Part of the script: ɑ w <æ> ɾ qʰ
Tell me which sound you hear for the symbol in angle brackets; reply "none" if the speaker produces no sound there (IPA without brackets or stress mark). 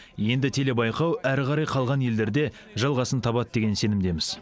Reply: æ